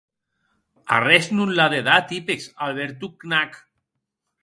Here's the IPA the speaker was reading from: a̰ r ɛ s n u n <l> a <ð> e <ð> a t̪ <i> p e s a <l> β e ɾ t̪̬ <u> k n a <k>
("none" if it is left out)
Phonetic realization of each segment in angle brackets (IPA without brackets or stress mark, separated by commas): l, ð, ð, i, l, u, k